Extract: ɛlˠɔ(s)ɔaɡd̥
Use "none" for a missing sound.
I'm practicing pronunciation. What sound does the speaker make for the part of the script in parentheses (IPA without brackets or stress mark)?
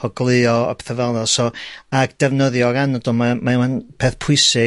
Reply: s